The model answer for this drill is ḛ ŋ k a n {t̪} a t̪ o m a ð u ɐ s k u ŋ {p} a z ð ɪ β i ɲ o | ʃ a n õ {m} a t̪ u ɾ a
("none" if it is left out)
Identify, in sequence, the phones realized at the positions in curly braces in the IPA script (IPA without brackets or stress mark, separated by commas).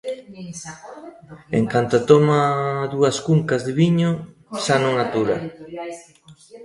t̪, k, ŋ